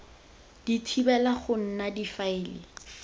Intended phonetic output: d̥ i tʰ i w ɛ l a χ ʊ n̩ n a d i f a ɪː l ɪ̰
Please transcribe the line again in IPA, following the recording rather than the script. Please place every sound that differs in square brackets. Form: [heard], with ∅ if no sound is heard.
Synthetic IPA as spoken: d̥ i tʰ i [b] ɛ l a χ ʊ n̩ n a d i f a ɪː l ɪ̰